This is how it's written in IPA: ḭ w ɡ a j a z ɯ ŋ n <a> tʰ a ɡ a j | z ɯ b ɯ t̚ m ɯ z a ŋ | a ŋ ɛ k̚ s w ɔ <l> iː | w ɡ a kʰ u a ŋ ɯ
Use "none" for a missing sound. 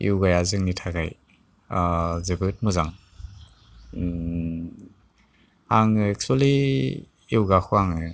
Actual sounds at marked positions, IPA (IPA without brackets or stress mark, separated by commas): i, l